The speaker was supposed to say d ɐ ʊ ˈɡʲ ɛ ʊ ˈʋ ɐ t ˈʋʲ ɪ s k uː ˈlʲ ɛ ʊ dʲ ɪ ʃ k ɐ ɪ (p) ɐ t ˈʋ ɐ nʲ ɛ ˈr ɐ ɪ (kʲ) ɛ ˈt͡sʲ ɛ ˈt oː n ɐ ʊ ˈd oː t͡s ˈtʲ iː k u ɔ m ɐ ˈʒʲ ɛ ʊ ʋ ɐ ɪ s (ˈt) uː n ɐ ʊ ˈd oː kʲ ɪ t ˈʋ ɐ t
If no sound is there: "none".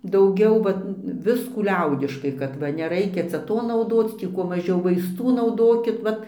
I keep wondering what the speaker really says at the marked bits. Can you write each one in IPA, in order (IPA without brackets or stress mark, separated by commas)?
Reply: k, kʲ, t